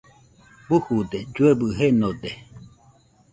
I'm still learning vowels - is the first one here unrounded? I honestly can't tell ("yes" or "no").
no